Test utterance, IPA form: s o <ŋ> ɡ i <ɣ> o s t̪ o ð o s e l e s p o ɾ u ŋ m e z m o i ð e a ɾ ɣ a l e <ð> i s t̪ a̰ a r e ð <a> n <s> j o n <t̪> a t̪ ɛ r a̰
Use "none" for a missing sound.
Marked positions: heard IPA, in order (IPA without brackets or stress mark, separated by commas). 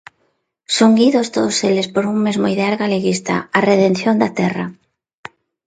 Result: ŋ, ð, ɣ, e, θ, d̪